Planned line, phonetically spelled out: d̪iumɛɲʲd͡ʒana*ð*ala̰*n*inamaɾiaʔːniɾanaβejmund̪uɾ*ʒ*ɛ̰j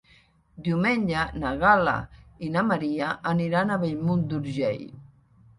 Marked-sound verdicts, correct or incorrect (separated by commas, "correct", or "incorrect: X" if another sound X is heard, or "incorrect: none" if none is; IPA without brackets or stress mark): incorrect: ɣ, incorrect: none, correct